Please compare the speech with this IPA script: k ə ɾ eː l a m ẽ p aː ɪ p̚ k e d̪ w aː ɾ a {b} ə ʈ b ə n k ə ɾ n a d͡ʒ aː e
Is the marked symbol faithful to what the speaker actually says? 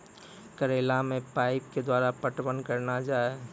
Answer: no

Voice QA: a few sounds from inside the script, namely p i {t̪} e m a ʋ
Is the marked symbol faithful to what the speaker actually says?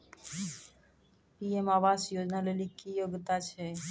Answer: no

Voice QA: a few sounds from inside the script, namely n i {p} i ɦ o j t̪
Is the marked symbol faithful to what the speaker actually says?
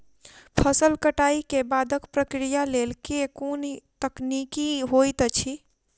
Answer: no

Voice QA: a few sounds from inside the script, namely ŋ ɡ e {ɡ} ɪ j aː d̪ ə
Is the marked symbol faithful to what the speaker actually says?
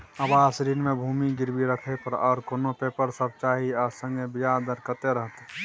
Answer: no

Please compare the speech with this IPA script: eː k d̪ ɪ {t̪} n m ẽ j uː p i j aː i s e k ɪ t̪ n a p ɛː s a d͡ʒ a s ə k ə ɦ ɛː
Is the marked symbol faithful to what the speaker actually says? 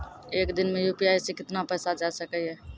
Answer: no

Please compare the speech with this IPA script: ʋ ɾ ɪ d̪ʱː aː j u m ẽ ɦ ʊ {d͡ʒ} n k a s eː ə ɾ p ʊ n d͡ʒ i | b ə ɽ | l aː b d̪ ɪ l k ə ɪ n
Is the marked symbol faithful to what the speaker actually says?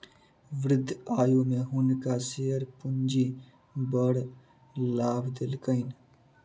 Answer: no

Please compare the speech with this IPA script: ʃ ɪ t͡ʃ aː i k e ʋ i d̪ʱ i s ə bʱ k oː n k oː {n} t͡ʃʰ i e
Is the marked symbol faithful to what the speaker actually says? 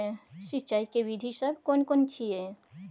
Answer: yes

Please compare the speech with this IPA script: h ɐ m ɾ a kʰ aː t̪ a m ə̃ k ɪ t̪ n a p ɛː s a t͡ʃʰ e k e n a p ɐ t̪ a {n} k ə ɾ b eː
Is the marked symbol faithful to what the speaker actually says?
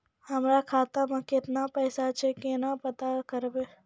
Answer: no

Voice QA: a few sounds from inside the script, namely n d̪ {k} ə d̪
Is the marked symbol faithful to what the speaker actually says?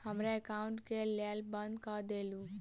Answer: yes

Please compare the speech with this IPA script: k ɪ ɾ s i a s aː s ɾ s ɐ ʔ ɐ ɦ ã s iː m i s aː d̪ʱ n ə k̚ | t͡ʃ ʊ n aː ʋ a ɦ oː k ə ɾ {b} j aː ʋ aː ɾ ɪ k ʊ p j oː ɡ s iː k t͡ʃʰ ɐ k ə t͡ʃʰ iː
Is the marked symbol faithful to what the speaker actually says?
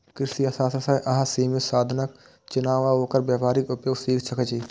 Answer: yes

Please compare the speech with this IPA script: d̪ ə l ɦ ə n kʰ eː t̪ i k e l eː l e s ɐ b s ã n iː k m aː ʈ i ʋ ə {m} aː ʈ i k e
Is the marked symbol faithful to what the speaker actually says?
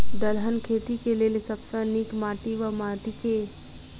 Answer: yes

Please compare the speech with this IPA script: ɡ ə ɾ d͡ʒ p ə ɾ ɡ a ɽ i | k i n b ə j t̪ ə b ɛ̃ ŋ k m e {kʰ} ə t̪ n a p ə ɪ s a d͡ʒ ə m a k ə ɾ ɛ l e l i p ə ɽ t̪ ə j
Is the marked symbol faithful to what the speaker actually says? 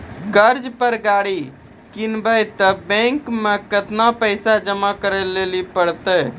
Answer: no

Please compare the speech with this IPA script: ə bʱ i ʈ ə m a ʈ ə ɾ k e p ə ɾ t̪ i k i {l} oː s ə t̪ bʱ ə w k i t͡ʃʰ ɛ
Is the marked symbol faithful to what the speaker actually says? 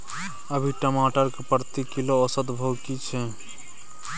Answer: yes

